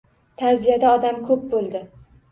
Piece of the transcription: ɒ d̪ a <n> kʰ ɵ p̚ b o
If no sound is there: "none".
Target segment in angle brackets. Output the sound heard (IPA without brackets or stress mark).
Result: m